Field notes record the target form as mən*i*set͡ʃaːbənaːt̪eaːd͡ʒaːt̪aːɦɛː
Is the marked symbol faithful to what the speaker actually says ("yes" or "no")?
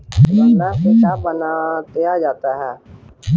no